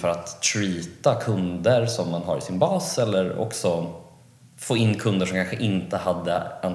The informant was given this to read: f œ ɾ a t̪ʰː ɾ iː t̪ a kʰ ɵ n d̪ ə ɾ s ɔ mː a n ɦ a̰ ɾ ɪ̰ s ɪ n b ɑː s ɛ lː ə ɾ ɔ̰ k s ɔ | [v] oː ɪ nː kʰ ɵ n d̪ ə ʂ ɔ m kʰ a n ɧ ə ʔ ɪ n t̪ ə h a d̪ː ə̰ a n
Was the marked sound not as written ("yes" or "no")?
yes